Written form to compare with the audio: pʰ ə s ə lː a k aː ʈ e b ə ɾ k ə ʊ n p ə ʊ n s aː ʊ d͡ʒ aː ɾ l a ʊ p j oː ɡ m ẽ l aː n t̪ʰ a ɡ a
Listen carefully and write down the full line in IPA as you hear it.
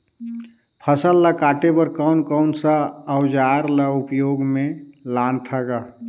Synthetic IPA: pʰ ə s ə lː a k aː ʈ e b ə ɾ k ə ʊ n k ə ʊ n s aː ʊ d͡ʒ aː ɾ l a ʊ p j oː ɡ m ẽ l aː n t̪ʰ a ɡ a